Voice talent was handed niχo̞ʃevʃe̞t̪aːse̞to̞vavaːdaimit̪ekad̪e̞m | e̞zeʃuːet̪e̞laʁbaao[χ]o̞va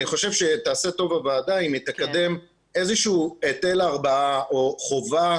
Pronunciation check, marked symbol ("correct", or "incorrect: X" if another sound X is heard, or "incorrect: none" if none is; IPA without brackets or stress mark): correct